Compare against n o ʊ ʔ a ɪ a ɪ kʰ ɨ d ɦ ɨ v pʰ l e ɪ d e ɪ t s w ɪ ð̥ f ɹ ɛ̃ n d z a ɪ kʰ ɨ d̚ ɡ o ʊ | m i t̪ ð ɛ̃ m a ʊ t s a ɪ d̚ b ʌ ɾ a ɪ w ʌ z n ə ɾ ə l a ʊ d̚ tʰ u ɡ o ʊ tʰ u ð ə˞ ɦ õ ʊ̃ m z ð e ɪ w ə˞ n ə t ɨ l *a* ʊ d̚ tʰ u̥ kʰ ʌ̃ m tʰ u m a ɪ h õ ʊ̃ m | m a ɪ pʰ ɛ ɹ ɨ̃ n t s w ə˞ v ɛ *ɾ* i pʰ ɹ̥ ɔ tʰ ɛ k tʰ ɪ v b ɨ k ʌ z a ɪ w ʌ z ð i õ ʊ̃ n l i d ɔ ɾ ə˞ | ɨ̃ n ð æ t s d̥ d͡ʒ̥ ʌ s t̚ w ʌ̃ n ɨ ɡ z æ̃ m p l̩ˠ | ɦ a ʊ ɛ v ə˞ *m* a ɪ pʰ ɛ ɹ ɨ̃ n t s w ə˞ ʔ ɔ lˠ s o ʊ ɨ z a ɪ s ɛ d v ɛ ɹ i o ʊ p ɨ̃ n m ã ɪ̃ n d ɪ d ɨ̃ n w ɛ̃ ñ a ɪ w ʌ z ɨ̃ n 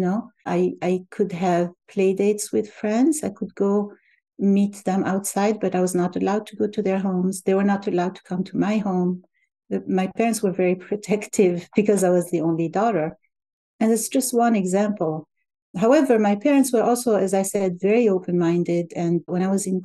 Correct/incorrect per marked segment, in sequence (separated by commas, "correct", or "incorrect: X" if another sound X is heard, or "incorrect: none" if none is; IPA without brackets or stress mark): correct, incorrect: ɹ, correct